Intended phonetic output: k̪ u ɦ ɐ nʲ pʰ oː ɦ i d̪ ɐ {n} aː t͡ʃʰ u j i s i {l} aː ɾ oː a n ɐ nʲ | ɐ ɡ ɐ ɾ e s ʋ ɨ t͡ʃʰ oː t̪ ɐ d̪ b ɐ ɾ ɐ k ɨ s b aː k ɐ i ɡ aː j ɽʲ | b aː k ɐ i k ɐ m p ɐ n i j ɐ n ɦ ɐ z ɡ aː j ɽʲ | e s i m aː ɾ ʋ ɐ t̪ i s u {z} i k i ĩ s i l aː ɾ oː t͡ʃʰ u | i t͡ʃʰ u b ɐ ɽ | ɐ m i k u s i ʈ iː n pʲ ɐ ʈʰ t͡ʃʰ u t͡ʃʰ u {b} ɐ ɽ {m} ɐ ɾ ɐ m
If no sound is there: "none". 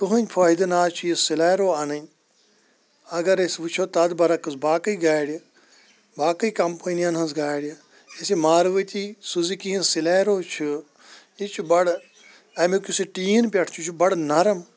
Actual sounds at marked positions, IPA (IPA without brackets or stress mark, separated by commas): n, l, z, b, n